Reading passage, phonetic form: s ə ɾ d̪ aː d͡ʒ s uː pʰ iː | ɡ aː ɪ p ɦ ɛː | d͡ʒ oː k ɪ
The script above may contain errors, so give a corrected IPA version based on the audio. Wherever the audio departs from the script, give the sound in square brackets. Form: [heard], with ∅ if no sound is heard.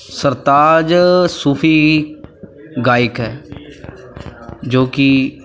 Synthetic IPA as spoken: s ə ɾ [t̪] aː d͡ʒ s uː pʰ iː | ɡ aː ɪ [k] ɦ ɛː | d͡ʒ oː k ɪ